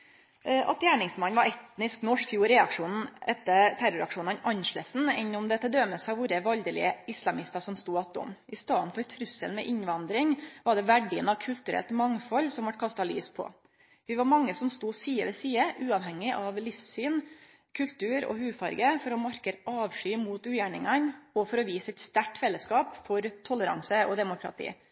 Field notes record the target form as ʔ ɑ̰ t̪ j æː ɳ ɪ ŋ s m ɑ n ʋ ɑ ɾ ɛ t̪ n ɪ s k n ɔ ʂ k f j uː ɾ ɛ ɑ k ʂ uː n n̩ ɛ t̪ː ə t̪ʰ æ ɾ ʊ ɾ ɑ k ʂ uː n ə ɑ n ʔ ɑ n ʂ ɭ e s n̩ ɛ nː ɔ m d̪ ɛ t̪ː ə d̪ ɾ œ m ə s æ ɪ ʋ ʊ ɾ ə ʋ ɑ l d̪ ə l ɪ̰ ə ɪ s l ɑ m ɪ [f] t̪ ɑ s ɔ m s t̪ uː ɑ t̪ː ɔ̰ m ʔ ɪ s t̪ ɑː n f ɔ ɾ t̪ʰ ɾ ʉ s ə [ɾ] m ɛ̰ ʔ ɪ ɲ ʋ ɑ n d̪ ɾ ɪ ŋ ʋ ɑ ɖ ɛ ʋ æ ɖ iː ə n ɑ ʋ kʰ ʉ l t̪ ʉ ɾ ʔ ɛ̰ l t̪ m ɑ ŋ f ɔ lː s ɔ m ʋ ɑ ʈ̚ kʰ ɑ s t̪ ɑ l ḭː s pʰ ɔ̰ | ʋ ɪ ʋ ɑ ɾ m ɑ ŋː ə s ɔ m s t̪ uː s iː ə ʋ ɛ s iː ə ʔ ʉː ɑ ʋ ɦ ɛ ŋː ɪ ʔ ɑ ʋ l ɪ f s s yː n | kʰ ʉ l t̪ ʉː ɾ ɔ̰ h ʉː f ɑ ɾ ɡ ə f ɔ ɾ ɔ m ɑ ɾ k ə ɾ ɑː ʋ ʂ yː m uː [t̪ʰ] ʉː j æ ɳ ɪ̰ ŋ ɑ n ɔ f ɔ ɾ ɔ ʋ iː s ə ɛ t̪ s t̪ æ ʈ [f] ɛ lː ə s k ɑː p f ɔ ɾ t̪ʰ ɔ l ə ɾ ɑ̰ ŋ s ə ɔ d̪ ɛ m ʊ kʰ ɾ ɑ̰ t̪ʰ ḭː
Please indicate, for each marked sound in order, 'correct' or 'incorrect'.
incorrect: s, incorrect: l, incorrect: t̪, correct

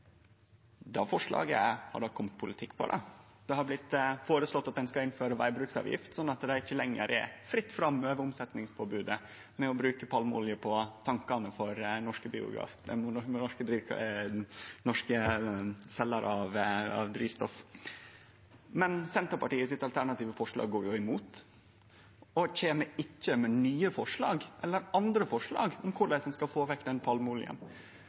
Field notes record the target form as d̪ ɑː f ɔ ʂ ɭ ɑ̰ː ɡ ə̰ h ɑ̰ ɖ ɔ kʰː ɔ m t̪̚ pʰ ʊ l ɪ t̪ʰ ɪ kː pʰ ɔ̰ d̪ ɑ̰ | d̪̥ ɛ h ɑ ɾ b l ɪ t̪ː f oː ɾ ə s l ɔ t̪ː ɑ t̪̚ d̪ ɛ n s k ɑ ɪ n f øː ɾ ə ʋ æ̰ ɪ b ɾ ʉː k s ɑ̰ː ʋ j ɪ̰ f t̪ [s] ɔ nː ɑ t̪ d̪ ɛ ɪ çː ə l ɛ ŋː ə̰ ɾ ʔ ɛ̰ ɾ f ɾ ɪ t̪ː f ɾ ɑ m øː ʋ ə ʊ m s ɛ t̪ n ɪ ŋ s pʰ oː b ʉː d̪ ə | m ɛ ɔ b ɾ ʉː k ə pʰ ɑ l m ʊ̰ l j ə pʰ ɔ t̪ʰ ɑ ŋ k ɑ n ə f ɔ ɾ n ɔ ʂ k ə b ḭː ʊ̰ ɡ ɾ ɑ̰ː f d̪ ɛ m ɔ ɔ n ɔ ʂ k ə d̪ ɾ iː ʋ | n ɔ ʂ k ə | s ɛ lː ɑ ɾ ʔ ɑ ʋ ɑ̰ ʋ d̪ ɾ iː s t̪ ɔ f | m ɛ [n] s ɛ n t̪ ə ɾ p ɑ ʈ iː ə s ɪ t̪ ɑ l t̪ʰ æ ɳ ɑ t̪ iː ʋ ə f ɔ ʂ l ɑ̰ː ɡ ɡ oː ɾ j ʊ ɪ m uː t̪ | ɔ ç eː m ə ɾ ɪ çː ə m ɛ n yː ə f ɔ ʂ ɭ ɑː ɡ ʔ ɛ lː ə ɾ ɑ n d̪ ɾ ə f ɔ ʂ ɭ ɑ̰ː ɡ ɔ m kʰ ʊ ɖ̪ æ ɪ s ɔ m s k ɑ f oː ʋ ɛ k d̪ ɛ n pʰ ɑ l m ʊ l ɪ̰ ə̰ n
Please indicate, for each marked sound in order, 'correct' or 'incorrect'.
correct, correct

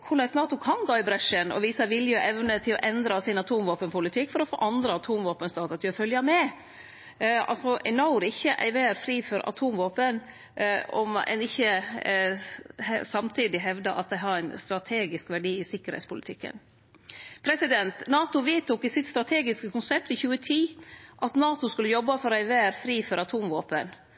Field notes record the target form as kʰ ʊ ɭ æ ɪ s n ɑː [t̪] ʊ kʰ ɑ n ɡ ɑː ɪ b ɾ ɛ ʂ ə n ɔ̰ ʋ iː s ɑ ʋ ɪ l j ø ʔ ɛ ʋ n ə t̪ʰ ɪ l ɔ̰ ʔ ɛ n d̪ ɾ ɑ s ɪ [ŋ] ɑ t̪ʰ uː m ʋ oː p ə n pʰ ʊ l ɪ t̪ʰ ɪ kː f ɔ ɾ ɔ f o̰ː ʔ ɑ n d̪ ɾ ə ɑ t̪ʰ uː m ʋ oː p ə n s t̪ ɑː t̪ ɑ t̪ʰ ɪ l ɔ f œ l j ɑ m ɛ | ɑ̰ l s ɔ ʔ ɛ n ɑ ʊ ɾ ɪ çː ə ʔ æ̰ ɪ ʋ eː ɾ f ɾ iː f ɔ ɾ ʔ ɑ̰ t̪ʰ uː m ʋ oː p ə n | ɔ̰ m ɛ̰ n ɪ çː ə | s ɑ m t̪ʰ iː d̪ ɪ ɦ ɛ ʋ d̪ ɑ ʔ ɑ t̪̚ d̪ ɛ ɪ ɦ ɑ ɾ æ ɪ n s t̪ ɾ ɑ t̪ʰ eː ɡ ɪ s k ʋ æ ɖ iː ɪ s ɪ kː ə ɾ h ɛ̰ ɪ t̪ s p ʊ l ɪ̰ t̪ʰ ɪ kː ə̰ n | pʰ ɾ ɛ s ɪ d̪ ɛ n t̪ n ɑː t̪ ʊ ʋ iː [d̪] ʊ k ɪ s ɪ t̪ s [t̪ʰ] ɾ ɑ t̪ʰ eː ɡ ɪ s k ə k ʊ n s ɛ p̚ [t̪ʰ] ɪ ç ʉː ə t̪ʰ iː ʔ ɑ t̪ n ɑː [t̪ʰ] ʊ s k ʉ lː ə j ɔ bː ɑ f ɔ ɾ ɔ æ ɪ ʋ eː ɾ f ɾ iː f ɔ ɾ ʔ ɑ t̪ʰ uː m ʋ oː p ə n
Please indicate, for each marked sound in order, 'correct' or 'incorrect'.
correct, incorrect: n, incorrect: t̪, incorrect: t̪, incorrect: t̪, incorrect: t̪

